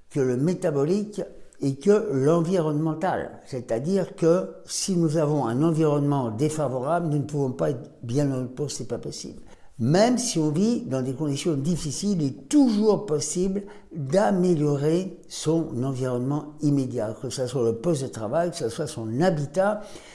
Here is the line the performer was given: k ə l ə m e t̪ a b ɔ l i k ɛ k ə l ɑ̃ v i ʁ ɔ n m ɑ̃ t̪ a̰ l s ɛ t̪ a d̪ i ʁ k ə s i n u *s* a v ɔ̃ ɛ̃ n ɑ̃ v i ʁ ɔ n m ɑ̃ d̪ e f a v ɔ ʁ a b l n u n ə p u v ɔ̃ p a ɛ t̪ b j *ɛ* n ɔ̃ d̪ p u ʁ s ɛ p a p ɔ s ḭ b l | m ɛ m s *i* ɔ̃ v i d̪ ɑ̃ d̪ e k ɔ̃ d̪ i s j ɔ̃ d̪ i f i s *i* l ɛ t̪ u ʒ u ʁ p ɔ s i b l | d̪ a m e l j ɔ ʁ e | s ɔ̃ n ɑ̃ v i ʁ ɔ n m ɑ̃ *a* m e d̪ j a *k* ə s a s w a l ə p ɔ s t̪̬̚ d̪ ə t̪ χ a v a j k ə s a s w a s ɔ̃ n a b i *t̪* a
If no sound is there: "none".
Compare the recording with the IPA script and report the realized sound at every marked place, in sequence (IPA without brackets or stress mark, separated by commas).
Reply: z, ɛ̃, i, i, i, k, t̪